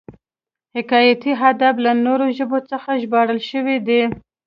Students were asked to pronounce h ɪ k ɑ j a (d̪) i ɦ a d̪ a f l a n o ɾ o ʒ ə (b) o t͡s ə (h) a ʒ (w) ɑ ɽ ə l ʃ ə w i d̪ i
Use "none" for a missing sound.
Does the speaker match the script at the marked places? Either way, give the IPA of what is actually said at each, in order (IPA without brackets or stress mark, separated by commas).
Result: t̪, b, x, b